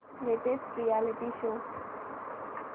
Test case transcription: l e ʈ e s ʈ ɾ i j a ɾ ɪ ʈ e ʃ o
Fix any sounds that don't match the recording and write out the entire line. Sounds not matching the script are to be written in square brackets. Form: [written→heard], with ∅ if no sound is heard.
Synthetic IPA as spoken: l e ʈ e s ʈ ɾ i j a [ɾ→l] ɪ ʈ [e→i] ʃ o